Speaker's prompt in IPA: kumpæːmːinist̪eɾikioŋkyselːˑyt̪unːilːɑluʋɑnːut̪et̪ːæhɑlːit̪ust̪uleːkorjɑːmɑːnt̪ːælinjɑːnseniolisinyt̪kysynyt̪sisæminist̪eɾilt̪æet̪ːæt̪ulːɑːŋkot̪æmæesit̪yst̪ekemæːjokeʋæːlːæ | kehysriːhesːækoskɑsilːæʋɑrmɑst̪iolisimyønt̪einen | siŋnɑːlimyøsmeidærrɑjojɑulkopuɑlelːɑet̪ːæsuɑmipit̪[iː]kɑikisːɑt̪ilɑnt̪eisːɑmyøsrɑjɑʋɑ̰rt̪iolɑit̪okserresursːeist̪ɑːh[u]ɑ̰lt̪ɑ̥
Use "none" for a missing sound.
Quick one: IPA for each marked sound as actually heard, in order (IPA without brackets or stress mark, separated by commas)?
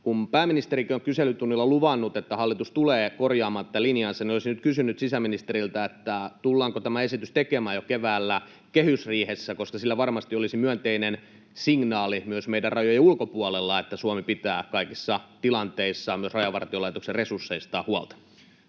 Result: æː, u